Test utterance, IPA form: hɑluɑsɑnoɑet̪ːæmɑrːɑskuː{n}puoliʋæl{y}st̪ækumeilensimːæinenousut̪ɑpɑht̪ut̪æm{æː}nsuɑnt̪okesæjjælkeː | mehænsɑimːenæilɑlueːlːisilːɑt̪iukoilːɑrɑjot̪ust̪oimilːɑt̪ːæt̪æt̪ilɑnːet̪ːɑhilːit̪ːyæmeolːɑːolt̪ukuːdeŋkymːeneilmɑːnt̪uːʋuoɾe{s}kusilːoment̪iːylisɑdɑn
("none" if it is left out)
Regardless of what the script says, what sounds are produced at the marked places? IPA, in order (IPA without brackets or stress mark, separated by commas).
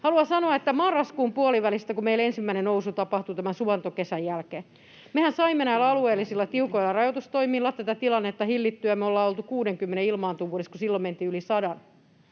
m, i, æ, s